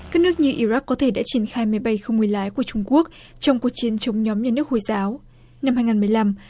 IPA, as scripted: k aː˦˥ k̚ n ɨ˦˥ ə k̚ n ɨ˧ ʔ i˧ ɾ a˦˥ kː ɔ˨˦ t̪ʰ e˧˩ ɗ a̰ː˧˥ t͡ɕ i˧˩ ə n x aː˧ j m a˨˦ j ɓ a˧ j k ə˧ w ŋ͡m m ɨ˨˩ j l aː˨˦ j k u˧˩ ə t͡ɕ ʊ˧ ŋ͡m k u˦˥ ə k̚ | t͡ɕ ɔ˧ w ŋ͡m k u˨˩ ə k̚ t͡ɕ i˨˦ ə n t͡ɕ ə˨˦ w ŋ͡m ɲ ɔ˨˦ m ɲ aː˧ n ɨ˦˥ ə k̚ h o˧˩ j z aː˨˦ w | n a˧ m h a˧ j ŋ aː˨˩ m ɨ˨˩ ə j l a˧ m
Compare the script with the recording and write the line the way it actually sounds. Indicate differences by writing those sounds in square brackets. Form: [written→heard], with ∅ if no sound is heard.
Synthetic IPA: k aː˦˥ k̚ n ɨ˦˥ ə k̚ [n→ɲ] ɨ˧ ʔ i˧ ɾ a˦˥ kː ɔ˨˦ t̪ʰ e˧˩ ɗ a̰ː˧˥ t͡ɕ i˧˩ ə n x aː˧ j m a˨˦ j ɓ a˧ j [k→x] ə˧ w ŋ͡m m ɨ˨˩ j l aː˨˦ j k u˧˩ ə t͡ɕ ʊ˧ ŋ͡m k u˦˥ ə k̚ | t͡ɕ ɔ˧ w ŋ͡m k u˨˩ ə k̚ t͡ɕ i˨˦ ə n t͡ɕ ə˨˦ w ŋ͡m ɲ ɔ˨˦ m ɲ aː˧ n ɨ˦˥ ə k̚ h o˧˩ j z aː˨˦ w | n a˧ m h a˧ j ŋ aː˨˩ m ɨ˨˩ ə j l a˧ m